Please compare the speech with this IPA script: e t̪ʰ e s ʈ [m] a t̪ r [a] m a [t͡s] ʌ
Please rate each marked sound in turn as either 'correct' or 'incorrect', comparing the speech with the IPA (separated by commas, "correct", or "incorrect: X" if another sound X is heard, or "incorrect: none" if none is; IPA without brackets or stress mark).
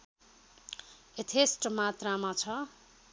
correct, correct, incorrect: t͡sʰ